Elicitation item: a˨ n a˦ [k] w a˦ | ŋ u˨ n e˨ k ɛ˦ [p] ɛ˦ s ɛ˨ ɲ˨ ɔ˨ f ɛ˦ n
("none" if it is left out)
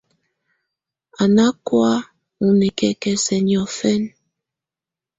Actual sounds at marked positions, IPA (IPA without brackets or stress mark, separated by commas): k, k